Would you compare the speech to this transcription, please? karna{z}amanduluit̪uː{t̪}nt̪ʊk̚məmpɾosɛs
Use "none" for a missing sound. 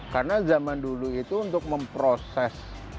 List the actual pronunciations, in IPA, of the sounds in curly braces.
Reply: z, none

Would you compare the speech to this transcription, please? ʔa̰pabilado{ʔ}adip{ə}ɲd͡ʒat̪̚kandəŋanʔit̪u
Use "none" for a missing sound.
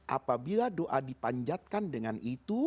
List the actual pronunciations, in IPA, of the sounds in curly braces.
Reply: ʔ, a

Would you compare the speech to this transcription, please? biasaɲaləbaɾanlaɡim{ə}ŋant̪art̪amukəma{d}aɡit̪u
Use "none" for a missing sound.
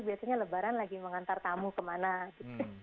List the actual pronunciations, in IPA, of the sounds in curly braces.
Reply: ə, n

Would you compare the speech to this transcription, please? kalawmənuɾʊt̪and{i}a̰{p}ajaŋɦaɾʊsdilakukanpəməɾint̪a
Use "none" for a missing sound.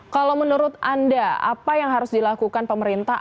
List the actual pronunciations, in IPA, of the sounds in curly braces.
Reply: a, p

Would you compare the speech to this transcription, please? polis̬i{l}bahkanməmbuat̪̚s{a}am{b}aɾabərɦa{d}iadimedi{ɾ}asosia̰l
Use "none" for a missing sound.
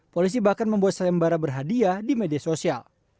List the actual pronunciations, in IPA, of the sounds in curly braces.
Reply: none, a, b, d, none

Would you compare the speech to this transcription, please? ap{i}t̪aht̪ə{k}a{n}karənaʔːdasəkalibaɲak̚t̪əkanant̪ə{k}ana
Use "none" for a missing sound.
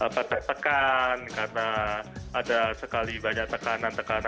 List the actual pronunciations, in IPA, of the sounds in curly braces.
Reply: a, k, n, k

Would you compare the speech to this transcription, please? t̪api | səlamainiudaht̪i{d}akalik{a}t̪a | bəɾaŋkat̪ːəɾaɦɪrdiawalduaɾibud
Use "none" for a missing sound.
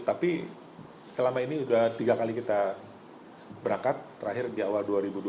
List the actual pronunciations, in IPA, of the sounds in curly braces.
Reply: ɡ, i

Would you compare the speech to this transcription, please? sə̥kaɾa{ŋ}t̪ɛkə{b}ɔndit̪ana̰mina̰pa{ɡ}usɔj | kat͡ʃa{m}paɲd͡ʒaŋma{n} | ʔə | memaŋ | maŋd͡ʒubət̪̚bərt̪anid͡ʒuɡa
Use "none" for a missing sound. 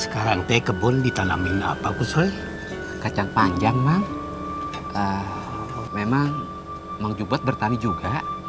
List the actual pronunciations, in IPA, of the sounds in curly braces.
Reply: ŋ, b, k, ŋ, ŋ

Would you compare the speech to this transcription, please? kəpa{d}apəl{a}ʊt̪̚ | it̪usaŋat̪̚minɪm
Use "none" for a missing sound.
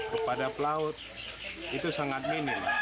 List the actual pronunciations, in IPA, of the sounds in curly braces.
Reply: d, a

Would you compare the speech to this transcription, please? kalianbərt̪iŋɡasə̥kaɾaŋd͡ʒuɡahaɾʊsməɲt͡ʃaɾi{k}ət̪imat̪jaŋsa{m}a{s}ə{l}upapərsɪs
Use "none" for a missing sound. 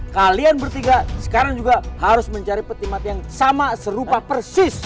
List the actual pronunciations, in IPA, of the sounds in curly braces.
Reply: p, m, s, ɾ

